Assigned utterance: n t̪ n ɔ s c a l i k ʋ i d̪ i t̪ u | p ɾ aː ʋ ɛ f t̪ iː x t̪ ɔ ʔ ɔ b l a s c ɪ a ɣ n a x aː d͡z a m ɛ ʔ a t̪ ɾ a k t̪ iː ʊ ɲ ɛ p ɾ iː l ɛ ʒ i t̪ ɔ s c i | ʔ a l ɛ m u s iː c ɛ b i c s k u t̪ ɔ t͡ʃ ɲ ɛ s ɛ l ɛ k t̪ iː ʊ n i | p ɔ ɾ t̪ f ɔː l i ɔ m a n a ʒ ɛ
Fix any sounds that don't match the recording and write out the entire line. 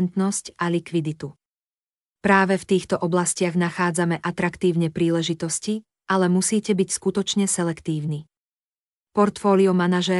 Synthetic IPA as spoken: n t̪ n ɔ s c a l i k ʋ i d̪ i t̪ u | p ɾ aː ʋ ɛ f t̪ iː x t̪ ɔ ʔ ɔ b l a s c ɪ a ɣ n a x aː d͡z a m ɛ ʔ a t̪ ɾ a k t̪ iː ʊ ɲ ɛ p ɾ iː l ɛ ʒ i t̪ ɔ s c i | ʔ a l ɛ m u s iː c ɛ b i c s k u t̪ ɔ t͡ʃ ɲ ɛ s ɛ l ɛ k t̪ iː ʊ n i | p ɔ ɾ t̪ f ɔː l i ɔ m a n a ʒ ɛ